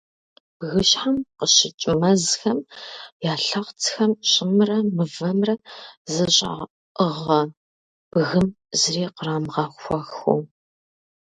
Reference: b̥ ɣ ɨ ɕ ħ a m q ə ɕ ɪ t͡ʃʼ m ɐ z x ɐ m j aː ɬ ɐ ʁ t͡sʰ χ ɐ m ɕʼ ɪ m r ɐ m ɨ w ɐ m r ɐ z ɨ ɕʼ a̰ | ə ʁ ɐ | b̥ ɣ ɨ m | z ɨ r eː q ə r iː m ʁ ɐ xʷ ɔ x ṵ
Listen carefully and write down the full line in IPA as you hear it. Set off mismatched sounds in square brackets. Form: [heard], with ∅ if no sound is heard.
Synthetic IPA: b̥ ɣ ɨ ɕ ħ a m q ə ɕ ɪ t͡ʃʼ m ɐ z x ɐ m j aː ɬ ɐ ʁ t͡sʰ [x] ɐ m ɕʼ ɪ m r ɐ m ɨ [v] ɐ m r ɐ z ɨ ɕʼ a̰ | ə ʁ ɐ | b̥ ɣ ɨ m | z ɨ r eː q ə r [aː] m ʁ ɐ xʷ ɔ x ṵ